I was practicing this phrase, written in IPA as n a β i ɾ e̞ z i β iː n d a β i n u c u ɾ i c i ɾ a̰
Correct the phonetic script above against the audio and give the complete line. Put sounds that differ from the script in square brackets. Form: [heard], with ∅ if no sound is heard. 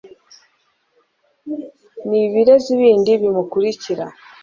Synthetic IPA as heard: n [i] β i ɾ e̞ z i β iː n d [i] β i [m] u [k] u ɾ i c i ɾ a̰